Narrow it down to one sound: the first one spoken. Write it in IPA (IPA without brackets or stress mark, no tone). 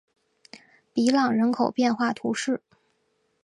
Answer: p